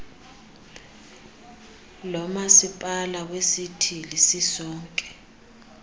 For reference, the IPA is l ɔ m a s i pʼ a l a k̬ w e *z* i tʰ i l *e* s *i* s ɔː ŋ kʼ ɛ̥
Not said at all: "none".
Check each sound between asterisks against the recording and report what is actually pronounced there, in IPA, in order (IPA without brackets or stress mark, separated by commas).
s, i, i